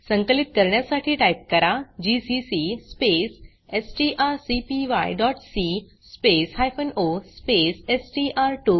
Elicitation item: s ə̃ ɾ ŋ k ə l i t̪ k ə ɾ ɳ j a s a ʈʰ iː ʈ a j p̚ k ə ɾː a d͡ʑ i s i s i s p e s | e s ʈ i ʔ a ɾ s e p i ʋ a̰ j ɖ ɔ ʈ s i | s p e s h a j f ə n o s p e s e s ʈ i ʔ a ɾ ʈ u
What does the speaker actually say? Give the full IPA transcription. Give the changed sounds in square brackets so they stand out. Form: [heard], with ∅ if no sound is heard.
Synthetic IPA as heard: s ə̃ [∅] ŋ k ə l i t̪ k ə ɾ ɳ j a s a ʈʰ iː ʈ a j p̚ k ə [ɾ] a d͡ʑ i s i s i s p e s | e s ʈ i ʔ a ɾ s [i] p i ʋ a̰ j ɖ ɔ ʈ s i | s p e s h a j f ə n o s p e s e s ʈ i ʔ a ɾ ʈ u